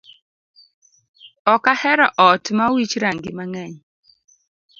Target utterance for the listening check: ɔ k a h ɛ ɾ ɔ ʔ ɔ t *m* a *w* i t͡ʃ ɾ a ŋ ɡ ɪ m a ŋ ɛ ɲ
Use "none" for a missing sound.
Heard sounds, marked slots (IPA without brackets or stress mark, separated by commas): m, w